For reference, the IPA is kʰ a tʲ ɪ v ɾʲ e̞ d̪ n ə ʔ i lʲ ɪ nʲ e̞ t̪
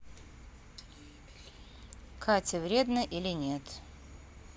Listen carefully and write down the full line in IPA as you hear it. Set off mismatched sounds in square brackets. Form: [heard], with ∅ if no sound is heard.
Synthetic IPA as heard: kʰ a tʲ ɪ v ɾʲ e̞ d̪ n ə ʔ i lʲ ɪ nʲ e̞ t̪